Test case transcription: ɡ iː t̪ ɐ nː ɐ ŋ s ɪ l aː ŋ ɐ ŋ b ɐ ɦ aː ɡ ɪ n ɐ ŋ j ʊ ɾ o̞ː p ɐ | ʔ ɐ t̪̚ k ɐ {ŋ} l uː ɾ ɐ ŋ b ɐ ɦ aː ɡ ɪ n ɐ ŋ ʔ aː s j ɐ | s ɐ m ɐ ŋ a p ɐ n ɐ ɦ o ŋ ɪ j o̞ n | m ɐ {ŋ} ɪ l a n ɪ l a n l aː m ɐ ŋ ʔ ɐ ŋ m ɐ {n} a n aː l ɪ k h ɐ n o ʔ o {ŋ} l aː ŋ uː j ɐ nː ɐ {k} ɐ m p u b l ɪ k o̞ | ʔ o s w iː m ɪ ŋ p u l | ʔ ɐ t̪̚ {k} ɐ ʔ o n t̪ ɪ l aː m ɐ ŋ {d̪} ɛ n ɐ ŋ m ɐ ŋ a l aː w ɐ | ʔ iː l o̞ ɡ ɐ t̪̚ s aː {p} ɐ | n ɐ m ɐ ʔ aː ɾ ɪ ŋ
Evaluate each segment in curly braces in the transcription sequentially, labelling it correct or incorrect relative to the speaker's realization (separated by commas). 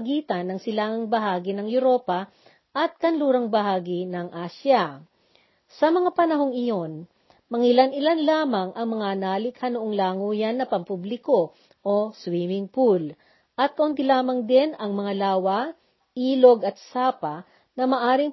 incorrect, correct, incorrect, correct, incorrect, correct, correct, correct